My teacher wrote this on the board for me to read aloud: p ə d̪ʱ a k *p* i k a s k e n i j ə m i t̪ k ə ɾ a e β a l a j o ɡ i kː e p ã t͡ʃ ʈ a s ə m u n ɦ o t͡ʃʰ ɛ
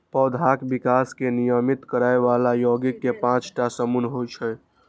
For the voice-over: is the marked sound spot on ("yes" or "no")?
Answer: no